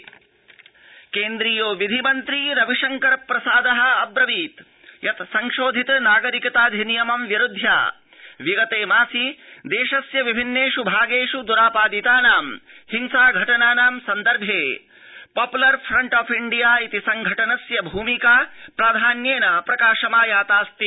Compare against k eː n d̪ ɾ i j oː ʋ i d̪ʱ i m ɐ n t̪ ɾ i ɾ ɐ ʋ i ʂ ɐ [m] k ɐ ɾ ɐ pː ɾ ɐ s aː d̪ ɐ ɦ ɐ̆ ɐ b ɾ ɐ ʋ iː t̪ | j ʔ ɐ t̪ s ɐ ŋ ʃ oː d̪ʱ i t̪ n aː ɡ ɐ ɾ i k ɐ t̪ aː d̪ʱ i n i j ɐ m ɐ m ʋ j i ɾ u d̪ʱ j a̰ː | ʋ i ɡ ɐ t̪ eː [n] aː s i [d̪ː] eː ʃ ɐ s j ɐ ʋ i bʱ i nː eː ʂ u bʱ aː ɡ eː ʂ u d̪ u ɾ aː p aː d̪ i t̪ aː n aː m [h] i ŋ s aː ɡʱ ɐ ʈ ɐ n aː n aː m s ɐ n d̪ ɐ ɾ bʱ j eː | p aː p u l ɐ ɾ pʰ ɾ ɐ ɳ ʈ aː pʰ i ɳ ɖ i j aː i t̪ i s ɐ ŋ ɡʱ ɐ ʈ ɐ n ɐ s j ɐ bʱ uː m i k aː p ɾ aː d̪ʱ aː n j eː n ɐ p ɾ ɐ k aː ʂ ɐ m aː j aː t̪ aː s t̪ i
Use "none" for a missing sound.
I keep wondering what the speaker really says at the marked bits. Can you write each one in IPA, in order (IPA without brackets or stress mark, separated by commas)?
ŋ, m, d̪, h